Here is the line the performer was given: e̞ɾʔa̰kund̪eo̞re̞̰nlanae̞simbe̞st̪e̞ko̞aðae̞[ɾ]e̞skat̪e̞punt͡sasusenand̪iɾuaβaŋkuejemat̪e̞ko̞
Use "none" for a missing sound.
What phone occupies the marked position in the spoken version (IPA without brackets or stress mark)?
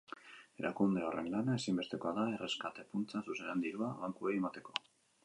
r